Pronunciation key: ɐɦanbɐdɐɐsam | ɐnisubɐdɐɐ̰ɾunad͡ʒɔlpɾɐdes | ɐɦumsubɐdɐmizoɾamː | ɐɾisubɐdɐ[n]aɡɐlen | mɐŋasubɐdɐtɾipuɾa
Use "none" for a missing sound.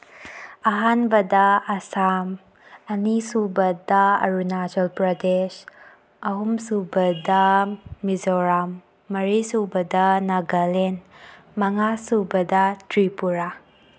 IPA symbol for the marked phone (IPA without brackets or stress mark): n